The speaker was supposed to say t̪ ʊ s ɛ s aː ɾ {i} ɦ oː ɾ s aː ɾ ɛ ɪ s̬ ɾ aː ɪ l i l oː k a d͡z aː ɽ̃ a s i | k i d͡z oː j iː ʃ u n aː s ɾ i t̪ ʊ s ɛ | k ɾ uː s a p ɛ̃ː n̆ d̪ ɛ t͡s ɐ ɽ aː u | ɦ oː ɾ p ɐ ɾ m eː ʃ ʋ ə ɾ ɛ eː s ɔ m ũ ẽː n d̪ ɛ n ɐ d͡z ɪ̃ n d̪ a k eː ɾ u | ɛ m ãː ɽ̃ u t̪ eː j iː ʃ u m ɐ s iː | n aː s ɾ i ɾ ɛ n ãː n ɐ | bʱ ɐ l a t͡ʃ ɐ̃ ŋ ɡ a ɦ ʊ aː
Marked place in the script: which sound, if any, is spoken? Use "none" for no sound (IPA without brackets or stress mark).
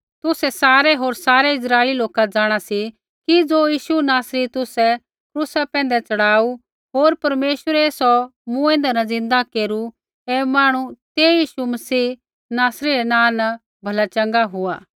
ɛ